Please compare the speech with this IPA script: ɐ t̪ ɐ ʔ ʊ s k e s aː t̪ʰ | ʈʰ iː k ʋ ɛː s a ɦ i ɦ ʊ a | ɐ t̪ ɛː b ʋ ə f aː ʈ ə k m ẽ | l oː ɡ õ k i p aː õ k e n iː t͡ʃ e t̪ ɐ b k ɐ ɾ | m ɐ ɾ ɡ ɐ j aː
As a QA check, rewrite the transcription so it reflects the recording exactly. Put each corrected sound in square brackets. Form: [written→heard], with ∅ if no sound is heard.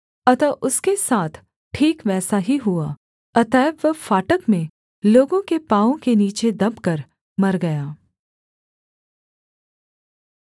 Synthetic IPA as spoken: ɐ t̪ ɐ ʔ ʊ s k e s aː t̪ʰ | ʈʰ iː k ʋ ɛː s a ɦ i ɦ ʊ a | ɐ t̪ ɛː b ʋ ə f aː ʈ ə k m ẽ | l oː ɡ õ k [i→e] p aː õ k e n iː t͡ʃ e [t̪→d̪] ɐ b k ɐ ɾ | m ɐ ɾ ɡ ɐ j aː

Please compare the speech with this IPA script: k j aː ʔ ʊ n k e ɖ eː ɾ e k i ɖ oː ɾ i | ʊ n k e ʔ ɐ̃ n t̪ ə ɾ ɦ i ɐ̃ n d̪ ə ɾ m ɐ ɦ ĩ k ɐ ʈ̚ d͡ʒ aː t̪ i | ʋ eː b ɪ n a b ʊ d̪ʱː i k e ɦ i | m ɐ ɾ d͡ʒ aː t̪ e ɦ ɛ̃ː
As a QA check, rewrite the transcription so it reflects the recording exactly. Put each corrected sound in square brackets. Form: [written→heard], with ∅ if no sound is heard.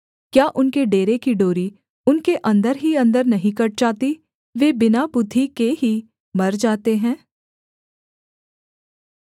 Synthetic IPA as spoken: k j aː ʔ ʊ n k e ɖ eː ɾ e k i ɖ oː ɾ i | ʊ n k e ʔ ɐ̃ n [t̪→d̪] ə ɾ ɦ i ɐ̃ n d̪ ə ɾ [m→n] ɐ ɦ ĩ k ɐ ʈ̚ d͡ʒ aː t̪ i | ʋ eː b ɪ n a b ʊ d̪ʱː i k e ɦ i | m ɐ ɾ d͡ʒ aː t̪ e ɦ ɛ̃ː

